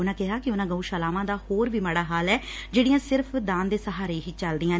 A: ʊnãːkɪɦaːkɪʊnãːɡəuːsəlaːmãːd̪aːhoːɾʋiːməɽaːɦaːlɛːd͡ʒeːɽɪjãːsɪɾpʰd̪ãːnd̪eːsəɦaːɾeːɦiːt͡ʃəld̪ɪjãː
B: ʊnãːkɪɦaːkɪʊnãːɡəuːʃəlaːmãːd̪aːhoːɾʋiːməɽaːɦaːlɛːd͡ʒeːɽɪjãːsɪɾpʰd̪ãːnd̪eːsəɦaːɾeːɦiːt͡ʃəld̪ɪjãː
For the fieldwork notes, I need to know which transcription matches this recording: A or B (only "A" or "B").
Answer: B